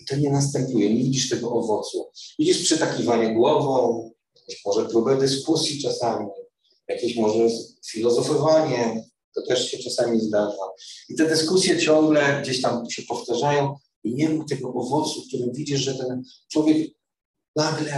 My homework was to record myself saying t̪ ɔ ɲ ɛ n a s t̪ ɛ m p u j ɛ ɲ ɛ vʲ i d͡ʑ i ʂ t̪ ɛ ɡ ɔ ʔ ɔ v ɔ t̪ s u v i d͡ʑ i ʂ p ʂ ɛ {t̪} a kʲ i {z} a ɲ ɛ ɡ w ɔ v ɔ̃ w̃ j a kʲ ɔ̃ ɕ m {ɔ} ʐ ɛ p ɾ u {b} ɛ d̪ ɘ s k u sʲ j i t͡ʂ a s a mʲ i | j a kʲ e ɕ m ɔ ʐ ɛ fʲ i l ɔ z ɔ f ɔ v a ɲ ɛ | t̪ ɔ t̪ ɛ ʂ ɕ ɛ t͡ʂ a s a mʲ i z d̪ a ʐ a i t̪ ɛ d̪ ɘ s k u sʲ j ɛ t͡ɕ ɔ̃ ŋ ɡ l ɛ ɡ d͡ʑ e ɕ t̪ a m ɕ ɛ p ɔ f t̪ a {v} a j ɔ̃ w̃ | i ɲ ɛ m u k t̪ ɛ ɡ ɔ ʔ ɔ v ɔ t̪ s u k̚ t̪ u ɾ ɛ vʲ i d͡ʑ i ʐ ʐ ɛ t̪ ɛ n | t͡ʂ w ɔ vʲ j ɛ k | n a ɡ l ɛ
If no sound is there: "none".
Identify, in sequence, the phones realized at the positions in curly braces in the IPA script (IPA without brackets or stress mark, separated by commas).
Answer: t̪, v, ɔ, b, ʐ